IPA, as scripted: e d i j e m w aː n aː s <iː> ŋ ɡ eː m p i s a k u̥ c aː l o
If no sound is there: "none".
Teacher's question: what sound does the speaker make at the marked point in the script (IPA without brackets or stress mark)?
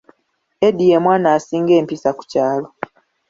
iː